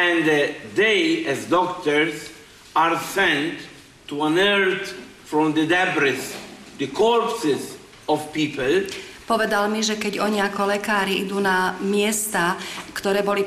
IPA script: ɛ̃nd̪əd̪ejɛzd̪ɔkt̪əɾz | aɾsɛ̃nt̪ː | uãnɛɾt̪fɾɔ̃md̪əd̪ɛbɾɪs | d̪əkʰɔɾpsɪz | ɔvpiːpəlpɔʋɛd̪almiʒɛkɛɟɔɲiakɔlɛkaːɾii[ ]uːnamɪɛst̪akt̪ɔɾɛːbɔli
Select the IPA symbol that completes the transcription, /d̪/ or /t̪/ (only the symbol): d̪